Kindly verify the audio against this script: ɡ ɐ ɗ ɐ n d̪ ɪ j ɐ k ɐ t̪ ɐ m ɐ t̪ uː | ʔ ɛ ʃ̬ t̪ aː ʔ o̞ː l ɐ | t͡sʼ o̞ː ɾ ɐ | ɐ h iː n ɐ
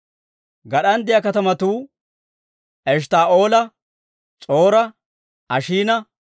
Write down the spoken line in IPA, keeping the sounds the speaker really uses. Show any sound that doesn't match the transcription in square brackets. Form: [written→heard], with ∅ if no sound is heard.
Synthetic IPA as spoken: ɡ ɐ ɗ ɐ n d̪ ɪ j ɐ k ɐ t̪ ɐ m ɐ t̪ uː | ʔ ɛ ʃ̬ t̪ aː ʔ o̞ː l ɐ | t͡sʼ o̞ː ɾ ɐ | ɐ [h→ʃ] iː n ɐ

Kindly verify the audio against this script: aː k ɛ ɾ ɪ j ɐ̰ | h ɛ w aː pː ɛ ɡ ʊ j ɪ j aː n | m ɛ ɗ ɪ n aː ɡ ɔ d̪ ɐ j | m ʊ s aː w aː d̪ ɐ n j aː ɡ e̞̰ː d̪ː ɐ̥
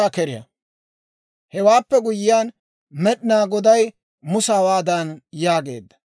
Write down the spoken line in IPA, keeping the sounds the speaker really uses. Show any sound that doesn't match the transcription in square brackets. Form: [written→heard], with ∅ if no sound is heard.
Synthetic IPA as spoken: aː k ɛ ɾ ɪ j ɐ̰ | h ɛ w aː pː ɛ ɡ ʊ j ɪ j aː n | m ɛ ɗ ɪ n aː ɡ ɔ d̪ ɐ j | m ʊ s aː w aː d̪ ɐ n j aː ɡ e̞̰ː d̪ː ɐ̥

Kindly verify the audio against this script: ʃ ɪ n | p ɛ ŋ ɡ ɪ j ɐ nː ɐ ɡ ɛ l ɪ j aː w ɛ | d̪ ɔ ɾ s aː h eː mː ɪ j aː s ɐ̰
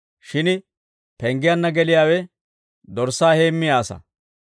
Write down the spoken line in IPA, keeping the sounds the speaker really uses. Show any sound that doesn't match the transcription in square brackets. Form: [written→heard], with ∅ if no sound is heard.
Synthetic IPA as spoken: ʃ ɪ n | p ɛ ŋ ɡ ɪ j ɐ nː ɐ ɡ ɛ l ɪ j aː w ɛ | d̪ ɔ ɾ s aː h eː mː ɪ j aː s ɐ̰

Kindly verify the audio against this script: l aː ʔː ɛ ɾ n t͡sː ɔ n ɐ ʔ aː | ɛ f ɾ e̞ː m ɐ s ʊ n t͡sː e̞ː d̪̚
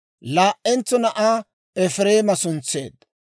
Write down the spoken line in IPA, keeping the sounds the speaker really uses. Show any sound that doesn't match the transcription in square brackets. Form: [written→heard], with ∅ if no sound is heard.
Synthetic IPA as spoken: l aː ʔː ɛ [ɾ→∅] n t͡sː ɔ n ɐ ʔ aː | ɛ f ɾ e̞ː m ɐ s ʊ n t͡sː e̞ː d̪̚

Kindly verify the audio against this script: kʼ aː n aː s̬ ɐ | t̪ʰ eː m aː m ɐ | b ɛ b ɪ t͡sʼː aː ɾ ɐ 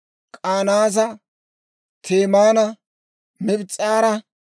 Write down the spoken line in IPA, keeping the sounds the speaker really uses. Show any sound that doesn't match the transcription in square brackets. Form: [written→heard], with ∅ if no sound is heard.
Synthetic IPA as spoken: kʼ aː n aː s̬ ɐ | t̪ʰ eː m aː [m→n] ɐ | [b→m] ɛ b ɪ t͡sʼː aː ɾ ɐ

